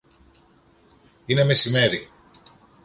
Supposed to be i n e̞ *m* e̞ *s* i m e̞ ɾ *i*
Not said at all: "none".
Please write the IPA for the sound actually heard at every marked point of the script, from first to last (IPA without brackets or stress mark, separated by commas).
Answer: m, s, i